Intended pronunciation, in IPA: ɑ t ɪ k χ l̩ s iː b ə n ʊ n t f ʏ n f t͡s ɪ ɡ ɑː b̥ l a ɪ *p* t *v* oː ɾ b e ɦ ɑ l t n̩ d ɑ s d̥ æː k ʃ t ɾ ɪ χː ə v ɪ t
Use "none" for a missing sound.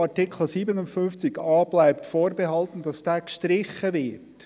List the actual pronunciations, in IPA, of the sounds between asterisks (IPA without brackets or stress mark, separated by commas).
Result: p, f